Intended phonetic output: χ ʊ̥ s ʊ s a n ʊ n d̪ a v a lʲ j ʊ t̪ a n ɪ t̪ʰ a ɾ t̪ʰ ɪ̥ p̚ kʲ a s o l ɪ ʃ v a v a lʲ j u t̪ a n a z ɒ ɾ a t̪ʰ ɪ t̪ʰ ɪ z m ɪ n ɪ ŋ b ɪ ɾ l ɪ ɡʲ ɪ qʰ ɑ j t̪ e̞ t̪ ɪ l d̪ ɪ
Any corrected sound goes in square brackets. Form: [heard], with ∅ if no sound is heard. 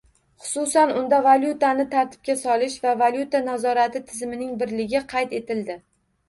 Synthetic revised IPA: χ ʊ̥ s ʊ s a n ʊ n d̪ a v a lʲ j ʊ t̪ a n ɪ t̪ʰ a ɾ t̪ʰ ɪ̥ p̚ kʲ a s [ɒ] l ɪ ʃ v a v a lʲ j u t̪ a n a z ɒ ɾ a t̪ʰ ɪ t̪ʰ ɪ z m ɪ n ɪ ŋ b ɪ ɾ l ɪ ɡʲ ɪ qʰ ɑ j t̪ e̞ t̪ ɪ l d̪ ɪ